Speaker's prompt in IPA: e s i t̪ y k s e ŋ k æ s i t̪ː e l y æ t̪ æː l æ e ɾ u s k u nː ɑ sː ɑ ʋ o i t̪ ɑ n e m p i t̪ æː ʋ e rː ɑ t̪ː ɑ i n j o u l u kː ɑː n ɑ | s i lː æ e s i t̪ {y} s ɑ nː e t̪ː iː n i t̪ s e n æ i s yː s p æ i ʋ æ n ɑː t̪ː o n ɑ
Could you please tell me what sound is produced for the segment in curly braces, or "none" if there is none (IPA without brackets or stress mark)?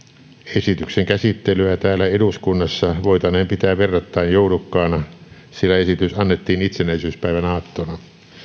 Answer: y